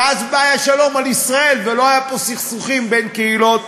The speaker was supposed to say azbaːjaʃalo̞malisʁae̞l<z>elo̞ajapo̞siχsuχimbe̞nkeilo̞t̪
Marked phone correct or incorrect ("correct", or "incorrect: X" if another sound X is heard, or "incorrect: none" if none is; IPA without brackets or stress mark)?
incorrect: v